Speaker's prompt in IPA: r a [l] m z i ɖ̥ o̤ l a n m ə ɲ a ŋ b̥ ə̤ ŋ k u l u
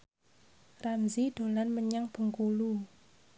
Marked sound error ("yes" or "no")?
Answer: yes